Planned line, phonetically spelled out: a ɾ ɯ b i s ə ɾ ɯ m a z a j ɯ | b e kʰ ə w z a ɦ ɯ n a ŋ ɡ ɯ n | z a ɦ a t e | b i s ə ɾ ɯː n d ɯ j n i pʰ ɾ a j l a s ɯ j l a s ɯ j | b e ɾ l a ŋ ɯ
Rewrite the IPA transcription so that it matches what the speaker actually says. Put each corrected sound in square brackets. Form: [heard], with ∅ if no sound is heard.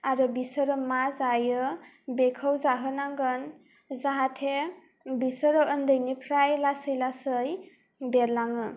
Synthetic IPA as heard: a ɾ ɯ b i s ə ɾ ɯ m a z a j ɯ | b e kʰ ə w z a ɦ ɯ n a ŋ ɡ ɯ n | z a ɦ a [tʰ] e | b i s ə ɾ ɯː n d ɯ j n i pʰ ɾ a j l a s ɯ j l a s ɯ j | b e ɾ l a ŋ ɯ